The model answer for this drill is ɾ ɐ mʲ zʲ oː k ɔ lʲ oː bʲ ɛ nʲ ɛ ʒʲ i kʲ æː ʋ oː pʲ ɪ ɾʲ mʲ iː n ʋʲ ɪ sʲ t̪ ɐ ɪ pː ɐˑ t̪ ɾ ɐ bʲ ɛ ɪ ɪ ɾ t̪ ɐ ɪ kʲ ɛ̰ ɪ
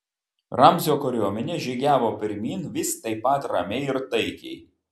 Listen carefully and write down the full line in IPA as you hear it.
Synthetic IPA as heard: ɾ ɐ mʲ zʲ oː k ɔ ɾʲ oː mʲ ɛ nʲ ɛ ʒʲ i ɡʲ æː ʋ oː pʲ ɪ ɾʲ mʲ iː n ʋʲ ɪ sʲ t̪ ɐ ɪ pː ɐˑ t̪ ɾ ɐ mʲ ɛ ɪ ɪ ɾ t̪ ɐ ɪ kʲ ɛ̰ ɪ

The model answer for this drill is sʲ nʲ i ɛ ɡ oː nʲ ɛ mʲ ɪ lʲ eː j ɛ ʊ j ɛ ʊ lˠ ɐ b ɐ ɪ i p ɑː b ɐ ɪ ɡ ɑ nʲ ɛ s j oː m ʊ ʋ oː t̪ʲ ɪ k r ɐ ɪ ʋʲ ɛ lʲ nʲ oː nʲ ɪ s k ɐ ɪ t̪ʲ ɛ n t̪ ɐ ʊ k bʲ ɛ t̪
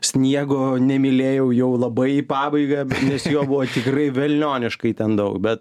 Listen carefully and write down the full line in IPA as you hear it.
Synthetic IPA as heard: sʲ nʲ i ɛ ɡ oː nʲ ɛ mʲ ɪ lʲ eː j ɛ ʊ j ɛ ʊ lˠ ɐ b ɐ ɪ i p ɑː b ɐ ɪ ɡ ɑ nʲ ɛ s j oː b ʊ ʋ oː t̪ʲ ɪ k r ɐ ɪ ʋʲ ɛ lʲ nʲ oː nʲ ɪ ʃ k ɐ ɪ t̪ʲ ɛ n d̪ ɐ ʊ k bʲ ɛ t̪

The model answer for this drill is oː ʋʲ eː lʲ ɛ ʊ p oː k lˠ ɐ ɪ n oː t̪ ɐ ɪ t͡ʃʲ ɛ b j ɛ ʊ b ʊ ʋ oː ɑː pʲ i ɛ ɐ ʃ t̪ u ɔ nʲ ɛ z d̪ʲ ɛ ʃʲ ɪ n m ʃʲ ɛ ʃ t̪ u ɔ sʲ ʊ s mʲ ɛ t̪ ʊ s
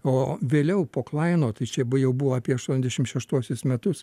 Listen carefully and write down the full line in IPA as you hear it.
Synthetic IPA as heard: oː ʋʲ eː lʲ ɛ ʊ p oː k lˠ ɐ ɪ n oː t̪ ɐ ɪ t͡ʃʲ ɛ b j ɛ ʊ b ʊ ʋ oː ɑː pʲ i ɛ ɐ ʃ t̪ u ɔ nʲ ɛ z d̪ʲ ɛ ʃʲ ɪ m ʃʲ ɛ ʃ t̪ u ɔ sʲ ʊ s mʲ ɛ t̪ ʊ s

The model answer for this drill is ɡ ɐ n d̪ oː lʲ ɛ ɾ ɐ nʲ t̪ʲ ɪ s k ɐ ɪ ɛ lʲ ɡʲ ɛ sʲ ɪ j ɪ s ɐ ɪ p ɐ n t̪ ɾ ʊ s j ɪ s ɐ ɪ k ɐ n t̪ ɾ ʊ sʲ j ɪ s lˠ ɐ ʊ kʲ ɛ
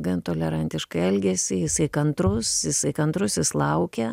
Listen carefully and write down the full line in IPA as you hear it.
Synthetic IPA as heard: ɡ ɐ n t̪ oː lʲ ɛ ɾ ɐ nʲ t̪ʲ ɪ ʃ k ɐ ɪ ɛ lʲ ɡʲ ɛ sʲ ɪ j ɪ s ɐ ɪ k ɐ n t̪ ɾ ʊ s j ɪ s ɐ ɪ k ɐ n t̪ ɾ ʊ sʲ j ɪ s lˠ ɐ ʊ kʲ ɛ

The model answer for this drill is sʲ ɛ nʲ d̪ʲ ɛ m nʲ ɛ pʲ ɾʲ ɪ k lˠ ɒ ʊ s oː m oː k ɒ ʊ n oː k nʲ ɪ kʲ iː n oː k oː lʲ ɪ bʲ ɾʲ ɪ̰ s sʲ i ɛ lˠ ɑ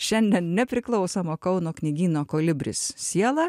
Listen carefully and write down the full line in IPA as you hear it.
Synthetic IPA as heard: ʃʲ ɛ nʲ d̪ʲ ɛ n nʲ ɛ pʲ ɾʲ ɪ k lˠ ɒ ʊ s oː m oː k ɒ ʊ n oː k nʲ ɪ ɡʲ iː n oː k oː lʲ ɪ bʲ ɾʲ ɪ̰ s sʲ i ɛ lˠ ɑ

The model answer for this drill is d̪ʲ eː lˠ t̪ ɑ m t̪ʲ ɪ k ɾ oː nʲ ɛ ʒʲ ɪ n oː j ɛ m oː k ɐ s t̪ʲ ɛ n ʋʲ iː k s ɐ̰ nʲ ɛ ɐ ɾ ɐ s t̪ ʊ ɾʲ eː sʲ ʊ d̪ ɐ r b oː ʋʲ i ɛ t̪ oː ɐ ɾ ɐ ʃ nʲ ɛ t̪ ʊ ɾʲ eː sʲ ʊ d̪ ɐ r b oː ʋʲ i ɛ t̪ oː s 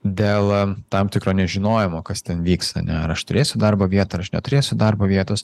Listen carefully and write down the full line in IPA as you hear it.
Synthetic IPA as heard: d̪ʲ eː lˠ t̪ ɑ m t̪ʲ ɪ k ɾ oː nʲ ɛ ʒʲ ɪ n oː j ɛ m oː k ɐ s t̪ʲ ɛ n ʋʲ iː k s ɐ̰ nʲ ɛ ɐ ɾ ɐ ʃ t̪ ʊ ɾʲ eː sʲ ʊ d̪ ɐ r b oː ʋʲ i ɛ t̪ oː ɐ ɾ ɐ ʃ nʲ ɛ t̪ ʊ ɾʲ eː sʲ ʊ d̪ ɐ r b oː ʋʲ i ɛ t̪ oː s

